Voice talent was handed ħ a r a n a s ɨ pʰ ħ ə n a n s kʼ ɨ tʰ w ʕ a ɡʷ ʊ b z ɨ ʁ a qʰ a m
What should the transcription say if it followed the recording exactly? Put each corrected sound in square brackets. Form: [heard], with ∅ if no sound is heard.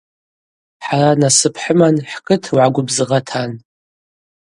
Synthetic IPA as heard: ħ a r a n a s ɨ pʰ ħ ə [m] a n [ħ] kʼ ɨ tʰ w ʕ a ɡʷ ʊ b z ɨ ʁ a [tʰ] a [n]